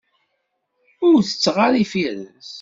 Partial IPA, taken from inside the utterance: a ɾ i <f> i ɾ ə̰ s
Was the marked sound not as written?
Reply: no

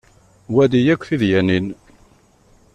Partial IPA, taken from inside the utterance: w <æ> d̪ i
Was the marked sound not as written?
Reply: no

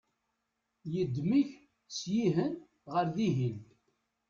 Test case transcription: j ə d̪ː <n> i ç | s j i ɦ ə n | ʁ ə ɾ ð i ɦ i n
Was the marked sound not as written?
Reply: yes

